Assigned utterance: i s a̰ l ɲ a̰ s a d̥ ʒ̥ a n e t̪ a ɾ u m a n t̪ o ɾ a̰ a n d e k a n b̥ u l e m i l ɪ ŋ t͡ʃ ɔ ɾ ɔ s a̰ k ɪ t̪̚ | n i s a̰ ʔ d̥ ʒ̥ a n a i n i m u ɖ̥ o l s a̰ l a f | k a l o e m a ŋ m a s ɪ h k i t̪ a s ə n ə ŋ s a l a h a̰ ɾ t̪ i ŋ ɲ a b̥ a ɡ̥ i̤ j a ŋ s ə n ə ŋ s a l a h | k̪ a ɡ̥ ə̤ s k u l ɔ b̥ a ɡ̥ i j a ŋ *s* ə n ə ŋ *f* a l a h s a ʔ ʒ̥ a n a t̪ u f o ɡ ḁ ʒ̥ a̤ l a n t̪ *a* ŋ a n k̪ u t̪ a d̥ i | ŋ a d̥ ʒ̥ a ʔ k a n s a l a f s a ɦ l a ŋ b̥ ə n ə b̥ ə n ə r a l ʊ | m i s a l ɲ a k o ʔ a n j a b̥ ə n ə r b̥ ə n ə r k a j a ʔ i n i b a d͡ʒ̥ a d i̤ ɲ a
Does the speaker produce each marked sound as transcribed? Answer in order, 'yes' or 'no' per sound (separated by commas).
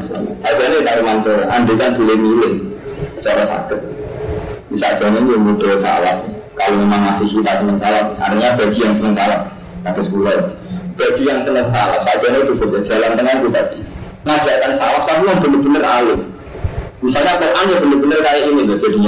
yes, no, no